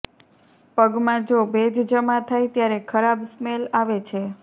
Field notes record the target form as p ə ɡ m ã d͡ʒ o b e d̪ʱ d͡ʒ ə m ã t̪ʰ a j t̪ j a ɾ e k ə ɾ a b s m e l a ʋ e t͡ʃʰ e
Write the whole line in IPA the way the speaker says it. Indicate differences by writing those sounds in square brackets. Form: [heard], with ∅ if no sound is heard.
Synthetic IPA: p ə ɡ m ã d͡ʒ o b e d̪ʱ d͡ʒ ə m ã t̪ʰ a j t̪ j a ɾ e [kʰ] ə ɾ a b s m e l a ʋ e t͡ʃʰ e

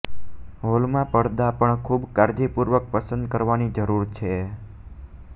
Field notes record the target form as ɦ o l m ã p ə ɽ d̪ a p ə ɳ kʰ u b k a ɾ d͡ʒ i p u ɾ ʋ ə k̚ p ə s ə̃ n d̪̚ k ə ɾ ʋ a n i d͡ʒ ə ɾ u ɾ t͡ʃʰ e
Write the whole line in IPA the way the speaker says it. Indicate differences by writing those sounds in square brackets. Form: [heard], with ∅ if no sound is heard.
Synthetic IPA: ɦ o l m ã p ə ɽ d̪ a p ə ɳ kʰ u b k a ɾ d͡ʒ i p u ɾ ʋ ə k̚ p ə s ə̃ n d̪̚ k ə ɾ ʋ a n i d͡ʒ ə ɾ u ɾ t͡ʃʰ e

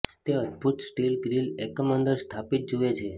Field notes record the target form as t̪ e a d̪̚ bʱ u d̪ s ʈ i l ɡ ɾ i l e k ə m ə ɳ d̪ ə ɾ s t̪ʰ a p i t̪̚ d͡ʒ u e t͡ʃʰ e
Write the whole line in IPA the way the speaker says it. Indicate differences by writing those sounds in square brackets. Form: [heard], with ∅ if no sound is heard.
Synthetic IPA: t̪ e [ə] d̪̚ bʱ u [t̪] s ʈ i l ɡ ɾ i l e k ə m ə [n] d̪ ə ɾ s t̪ʰ a p i t̪̚ d͡ʒ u e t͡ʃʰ e

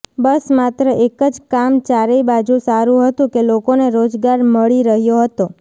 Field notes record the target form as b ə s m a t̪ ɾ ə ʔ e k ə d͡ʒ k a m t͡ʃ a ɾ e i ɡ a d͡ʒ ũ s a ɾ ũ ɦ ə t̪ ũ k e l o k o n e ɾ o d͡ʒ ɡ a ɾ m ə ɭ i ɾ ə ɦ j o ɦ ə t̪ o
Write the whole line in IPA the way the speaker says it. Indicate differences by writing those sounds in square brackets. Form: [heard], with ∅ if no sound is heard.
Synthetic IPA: b ə s m a t̪ ɾ ə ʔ e k ə d͡ʒ k a m t͡ʃ a ɾ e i [b] a d͡ʒ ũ s a ɾ ũ ɦ ə t̪ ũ k e l o k o n e ɾ o d͡ʒ ɡ a ɾ m ə ɭ i ɾ ə ɦ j o ɦ ə t̪ o

